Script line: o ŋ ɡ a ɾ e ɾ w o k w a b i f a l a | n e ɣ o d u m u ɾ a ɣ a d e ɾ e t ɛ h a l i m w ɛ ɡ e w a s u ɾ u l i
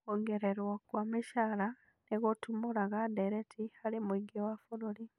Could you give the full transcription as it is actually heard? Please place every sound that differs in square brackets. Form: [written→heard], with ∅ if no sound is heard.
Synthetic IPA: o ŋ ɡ [a→e] ɾ e ɾ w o k w a [b→m] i [f→ʃ] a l a | n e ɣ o [d→t] u m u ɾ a ɣ a d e ɾ e t [ɛ→i] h a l i m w [ɛ→i] ɡ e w a [s→f] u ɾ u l i